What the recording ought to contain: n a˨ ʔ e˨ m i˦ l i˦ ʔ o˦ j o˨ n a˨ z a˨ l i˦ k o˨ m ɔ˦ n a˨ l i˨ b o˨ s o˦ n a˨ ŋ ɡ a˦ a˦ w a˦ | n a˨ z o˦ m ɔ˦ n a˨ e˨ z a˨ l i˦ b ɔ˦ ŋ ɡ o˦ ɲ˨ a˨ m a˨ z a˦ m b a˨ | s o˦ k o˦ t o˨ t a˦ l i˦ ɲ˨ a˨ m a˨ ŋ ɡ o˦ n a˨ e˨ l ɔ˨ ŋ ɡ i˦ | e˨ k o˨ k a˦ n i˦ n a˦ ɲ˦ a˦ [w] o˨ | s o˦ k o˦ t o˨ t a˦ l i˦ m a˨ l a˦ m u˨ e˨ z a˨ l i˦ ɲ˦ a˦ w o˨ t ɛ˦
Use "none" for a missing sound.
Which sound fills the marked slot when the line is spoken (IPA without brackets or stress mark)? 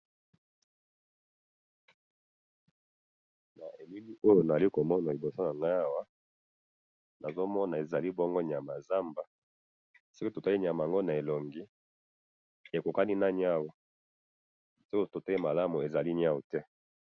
w